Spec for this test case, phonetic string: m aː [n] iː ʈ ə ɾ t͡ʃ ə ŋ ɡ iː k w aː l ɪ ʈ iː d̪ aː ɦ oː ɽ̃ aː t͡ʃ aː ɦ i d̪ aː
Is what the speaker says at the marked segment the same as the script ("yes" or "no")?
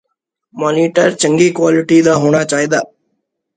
yes